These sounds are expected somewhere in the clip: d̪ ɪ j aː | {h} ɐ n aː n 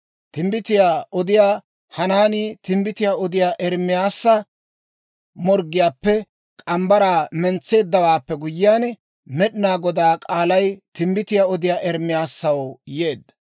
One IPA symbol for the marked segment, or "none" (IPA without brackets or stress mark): h